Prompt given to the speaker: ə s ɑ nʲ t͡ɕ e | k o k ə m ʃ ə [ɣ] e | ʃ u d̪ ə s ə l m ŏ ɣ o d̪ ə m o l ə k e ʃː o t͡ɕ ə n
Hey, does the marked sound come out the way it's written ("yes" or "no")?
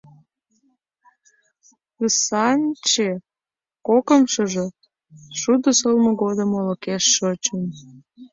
no